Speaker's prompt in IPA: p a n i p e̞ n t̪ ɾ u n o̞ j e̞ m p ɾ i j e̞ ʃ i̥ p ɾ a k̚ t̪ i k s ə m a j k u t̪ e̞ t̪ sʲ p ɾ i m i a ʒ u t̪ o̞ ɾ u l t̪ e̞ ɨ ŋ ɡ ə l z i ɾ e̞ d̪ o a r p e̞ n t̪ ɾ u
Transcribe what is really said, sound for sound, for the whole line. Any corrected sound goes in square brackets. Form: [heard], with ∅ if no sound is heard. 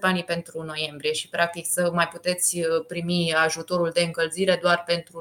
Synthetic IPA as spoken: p a n i p e̞ n t̪ ɾ u n o̞ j e̞ m [b] ɾ i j e̞ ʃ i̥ p ɾ a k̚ t̪ i k s ə m a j [p] u t̪ e̞ t̪ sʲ p ɾ i m i a ʒ u t̪ o̞ ɾ u l [d̪] e̞ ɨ ŋ [k] ə l z i ɾ e̞ d̪ o a r p e̞ n t̪ ɾ u